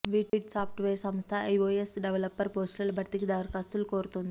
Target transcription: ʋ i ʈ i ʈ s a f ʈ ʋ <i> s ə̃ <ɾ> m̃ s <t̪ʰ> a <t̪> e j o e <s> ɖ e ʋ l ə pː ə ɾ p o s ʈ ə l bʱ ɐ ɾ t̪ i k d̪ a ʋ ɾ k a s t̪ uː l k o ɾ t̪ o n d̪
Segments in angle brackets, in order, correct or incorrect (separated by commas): incorrect, incorrect, correct, incorrect, correct